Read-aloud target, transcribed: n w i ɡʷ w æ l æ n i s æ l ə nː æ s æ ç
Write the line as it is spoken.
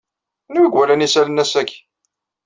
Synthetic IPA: n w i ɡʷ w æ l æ n i s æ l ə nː æ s æ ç